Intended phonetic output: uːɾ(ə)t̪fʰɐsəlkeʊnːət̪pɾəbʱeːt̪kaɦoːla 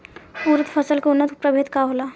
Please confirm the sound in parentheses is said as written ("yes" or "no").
yes